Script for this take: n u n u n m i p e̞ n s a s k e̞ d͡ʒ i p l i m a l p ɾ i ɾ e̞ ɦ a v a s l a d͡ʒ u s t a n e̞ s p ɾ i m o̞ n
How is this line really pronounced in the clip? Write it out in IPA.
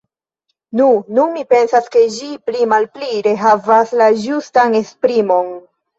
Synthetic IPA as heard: n u n u n m i p e̞ n s a s k e̞ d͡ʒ i p l i m a l p l i ɾ e̞ ɦ a v a s l a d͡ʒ u s t a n e̞ s p ɾ i m o̞ n